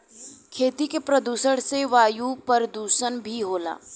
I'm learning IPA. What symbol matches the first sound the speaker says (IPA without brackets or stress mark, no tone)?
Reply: kʰ